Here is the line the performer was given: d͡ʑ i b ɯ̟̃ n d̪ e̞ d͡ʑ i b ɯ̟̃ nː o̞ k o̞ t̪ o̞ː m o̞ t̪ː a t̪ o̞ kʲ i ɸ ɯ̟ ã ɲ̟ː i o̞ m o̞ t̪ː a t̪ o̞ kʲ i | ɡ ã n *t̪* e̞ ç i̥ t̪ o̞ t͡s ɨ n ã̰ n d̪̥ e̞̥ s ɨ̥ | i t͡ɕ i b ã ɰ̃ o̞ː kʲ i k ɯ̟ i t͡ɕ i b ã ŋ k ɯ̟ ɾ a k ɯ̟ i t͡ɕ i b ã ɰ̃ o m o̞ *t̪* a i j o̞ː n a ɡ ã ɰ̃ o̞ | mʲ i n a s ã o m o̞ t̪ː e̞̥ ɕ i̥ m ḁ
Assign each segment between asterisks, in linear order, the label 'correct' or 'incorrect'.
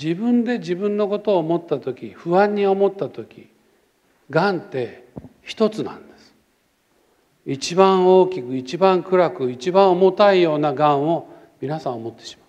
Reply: correct, correct

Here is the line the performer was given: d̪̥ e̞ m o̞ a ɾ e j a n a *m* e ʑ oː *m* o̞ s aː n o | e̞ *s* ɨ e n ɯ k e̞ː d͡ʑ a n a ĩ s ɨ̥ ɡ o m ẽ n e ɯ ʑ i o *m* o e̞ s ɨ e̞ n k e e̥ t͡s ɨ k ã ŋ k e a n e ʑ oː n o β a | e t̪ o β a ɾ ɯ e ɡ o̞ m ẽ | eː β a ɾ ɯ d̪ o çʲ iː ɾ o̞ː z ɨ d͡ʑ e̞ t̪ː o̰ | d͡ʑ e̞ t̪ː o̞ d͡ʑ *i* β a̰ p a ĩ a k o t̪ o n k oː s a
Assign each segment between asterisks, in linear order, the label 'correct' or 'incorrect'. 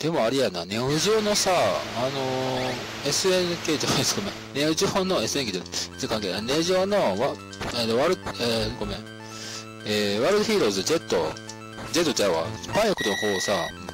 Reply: incorrect, incorrect, correct, incorrect, incorrect

